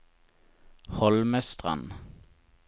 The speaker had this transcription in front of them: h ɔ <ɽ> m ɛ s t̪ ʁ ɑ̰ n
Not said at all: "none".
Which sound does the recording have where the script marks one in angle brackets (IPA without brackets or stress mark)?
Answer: l